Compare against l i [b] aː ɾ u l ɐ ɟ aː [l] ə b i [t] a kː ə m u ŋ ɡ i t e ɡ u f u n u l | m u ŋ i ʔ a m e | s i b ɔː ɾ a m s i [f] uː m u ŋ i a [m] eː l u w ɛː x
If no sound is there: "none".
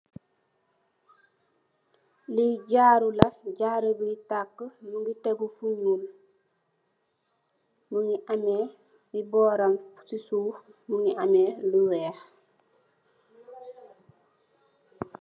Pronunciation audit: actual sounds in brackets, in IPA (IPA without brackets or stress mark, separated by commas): ɟ, ɾ, t, s, m